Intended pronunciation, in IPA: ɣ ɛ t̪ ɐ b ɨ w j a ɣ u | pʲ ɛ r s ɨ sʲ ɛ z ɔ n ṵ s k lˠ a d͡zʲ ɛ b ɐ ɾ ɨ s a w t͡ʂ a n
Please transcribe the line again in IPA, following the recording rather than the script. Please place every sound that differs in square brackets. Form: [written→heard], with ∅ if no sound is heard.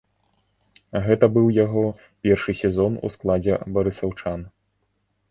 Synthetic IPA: ɣ ɛ t̪ ɐ b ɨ w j a ɣ [u→ɔ] | pʲ ɛ r [s→ʂ] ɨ sʲ ɛ z ɔ n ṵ s k lˠ a d͡zʲ ɛ b ɐ ɾ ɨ s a w t͡ʂ a n